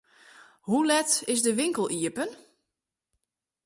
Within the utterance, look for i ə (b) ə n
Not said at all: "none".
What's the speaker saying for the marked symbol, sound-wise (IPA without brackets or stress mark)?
p